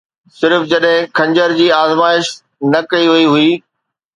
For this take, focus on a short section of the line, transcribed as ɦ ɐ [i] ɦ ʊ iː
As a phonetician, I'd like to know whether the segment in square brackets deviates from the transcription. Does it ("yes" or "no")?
no